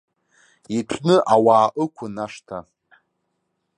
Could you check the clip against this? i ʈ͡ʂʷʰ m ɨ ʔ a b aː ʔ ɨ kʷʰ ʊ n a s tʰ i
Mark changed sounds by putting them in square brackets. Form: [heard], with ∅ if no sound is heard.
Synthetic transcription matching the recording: i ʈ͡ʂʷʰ [n] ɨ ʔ a [w] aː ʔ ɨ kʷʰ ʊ n a [ʂ] tʰ [a]